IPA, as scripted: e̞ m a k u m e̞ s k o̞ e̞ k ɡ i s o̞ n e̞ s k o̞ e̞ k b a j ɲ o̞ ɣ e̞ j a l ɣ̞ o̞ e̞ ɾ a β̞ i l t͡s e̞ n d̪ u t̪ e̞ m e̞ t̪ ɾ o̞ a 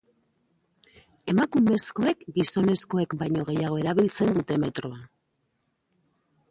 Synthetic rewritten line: e̞ m a k u m e̞ s k o̞ e̞ k ɡ i s o̞ n e̞ s k o̞ e̞ k b a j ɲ o̞ ɣ e̞ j a ɣ̞ o̞ e̞ ɾ a β̞ i l t͡s e̞ n d̪ u t̪ e̞ m e̞ t̪ ɾ o̞ a